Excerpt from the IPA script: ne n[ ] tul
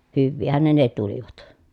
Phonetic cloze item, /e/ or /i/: e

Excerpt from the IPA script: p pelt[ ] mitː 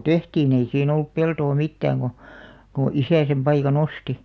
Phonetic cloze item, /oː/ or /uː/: oː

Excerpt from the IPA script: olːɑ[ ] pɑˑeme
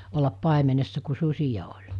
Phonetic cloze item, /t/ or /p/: p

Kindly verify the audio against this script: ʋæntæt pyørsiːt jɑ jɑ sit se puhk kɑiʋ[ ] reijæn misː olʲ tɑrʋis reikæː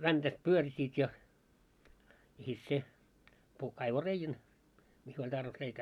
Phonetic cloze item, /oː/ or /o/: o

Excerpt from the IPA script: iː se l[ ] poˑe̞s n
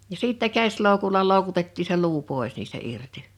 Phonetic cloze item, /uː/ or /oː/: uː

